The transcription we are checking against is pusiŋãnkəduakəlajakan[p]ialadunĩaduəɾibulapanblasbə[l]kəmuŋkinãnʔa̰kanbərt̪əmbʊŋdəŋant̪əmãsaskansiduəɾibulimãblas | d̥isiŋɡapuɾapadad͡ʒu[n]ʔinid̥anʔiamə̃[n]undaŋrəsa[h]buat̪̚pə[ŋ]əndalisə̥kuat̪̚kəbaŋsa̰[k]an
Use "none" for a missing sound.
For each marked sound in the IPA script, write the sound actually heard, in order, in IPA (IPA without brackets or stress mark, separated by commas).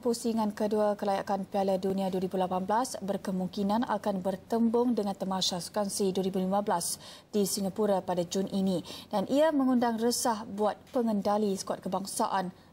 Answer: p, r, n, ŋ, h, ŋ, ʔ